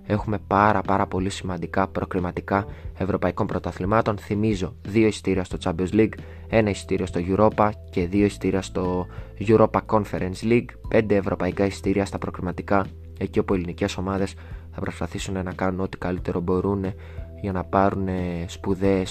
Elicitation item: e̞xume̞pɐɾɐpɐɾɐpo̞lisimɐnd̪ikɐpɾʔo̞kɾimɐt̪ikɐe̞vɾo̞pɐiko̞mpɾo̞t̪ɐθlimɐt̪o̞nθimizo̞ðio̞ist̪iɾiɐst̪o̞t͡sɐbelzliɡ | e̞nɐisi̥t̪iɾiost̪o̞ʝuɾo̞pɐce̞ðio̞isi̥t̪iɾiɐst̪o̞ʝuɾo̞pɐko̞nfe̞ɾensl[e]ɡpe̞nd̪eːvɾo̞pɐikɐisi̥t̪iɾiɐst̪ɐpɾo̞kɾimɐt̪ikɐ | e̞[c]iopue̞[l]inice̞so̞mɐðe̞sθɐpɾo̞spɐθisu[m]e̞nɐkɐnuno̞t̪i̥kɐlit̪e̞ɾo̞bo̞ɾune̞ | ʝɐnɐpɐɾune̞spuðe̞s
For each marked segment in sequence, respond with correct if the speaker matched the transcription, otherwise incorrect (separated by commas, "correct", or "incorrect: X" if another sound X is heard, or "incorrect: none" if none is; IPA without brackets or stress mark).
incorrect: i, correct, correct, incorrect: n